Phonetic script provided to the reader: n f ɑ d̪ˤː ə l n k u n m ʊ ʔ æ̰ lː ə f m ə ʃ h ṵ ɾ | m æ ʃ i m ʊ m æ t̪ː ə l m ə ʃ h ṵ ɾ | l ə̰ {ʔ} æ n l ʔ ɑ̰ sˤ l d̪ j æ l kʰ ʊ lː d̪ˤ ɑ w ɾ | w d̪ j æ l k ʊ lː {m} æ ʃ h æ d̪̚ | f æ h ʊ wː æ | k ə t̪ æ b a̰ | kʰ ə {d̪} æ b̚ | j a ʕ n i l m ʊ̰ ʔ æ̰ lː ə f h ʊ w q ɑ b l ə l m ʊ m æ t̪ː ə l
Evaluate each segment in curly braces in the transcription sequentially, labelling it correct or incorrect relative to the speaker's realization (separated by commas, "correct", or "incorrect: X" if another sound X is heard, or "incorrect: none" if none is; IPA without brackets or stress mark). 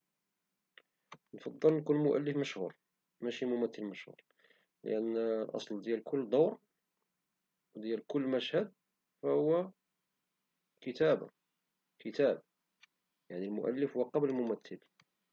correct, correct, incorrect: t̪